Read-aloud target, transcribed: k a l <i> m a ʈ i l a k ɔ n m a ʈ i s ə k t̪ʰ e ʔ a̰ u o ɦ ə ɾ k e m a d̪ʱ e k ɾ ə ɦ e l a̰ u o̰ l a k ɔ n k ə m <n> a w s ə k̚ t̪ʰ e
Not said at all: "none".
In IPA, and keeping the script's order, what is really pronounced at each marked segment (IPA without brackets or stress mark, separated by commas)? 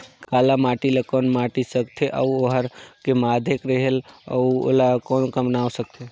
a, n